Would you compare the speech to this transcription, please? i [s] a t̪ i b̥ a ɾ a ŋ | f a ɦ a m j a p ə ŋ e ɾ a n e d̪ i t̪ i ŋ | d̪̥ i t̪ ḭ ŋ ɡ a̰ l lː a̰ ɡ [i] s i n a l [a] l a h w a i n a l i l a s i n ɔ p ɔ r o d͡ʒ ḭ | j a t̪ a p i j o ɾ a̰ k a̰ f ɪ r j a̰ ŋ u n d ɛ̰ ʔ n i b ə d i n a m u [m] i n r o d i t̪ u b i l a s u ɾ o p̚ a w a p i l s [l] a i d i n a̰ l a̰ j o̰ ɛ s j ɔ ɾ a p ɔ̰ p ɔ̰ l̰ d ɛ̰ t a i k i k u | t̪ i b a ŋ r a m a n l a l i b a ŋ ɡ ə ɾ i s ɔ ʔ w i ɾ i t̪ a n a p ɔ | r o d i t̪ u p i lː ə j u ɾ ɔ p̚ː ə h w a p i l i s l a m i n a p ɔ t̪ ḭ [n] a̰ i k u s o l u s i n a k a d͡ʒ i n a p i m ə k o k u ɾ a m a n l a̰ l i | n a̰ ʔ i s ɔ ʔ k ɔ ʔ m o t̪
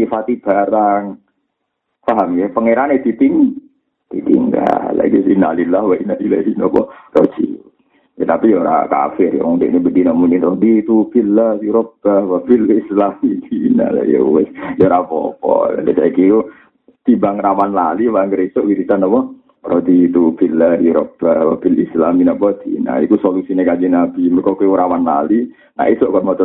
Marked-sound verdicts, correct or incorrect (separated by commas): incorrect, correct, incorrect, incorrect, correct, correct